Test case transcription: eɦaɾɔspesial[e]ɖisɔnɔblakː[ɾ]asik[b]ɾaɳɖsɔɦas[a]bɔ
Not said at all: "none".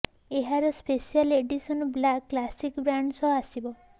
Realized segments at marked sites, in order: e, l, b, i

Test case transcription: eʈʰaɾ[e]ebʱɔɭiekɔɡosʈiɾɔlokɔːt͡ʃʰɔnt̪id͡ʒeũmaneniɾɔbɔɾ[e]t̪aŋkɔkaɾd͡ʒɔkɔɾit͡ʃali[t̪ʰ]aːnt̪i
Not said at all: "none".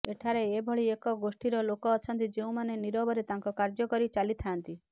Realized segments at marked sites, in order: e, e, t̪ʰ

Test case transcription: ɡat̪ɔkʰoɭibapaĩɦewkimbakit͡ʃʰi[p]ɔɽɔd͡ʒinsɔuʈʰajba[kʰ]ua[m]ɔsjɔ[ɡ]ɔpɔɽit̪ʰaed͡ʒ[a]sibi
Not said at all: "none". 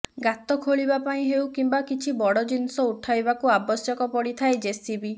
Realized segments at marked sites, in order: b, k, b, k, e

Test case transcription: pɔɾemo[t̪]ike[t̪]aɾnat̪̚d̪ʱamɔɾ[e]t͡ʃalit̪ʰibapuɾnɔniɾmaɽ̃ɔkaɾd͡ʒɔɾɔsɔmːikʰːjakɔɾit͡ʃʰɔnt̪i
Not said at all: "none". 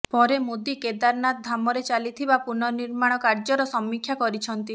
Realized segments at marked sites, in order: d̪, d̪, e

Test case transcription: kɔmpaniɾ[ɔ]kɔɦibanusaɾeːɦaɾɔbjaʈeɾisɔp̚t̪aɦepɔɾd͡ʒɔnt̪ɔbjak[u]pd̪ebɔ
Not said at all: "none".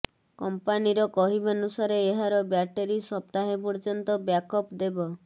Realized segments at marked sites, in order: ɔ, ɔ

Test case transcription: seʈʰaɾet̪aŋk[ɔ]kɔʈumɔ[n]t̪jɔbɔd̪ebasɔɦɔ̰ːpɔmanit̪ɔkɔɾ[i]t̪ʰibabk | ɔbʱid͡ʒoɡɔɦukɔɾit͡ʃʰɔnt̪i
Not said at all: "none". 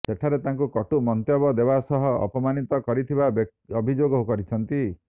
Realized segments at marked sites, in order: u, n, i

